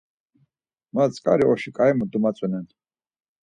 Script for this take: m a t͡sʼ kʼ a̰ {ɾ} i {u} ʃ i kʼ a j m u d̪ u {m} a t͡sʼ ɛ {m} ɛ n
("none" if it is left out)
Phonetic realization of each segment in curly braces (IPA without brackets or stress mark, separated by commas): ɾ, ɔ, m, n